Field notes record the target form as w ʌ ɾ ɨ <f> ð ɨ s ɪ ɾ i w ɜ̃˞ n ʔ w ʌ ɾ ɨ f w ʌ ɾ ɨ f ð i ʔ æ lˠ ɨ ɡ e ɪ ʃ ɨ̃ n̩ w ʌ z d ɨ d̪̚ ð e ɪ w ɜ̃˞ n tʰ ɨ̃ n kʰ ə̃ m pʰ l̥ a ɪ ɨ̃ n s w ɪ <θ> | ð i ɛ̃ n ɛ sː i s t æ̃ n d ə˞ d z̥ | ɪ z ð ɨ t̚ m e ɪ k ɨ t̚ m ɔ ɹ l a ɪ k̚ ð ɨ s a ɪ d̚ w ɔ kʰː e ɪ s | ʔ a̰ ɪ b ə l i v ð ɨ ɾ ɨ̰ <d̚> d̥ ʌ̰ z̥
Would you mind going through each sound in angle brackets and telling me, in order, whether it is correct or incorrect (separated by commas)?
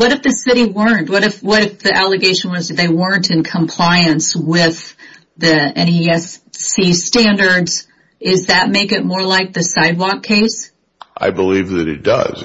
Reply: correct, incorrect, incorrect